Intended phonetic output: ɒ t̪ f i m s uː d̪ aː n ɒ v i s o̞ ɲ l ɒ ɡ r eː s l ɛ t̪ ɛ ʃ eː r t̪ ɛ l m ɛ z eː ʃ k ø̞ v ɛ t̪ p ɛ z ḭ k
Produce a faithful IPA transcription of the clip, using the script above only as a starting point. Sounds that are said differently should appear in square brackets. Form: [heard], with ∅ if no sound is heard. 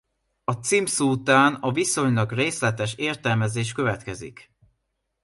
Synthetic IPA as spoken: ɒ t̪ [s] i m s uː [t̪] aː n ɒ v i s o̞ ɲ l ɒ ɡ r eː s l ɛ t̪ ɛ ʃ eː r t̪ ɛ l m ɛ z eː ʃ k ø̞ v ɛ t̪ [k] ɛ z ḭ k